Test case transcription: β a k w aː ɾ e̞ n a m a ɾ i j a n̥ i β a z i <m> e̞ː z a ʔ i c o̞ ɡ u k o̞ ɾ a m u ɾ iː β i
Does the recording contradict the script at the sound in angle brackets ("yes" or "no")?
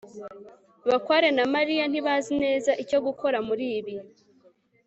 yes